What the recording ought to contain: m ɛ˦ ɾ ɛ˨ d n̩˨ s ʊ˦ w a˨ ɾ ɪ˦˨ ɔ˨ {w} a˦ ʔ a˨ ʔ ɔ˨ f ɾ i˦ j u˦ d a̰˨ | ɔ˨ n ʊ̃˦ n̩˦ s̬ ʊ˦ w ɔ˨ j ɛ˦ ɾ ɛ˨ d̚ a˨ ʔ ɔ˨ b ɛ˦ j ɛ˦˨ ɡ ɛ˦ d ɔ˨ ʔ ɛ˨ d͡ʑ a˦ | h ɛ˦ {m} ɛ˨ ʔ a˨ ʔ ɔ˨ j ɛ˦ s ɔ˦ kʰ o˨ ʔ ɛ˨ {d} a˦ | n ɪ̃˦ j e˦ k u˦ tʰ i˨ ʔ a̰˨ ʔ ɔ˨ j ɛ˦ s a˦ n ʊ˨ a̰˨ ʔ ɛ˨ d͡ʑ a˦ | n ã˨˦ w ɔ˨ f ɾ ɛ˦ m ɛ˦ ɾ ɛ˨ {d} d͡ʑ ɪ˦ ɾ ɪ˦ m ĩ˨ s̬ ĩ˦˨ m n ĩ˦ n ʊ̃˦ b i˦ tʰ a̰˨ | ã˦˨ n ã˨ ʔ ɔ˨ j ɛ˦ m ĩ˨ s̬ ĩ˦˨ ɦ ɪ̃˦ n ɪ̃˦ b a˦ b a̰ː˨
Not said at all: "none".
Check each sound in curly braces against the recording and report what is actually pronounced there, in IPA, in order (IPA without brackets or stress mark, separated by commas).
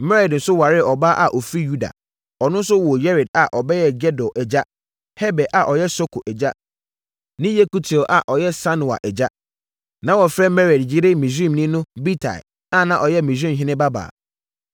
b, b, d͡ʑ, d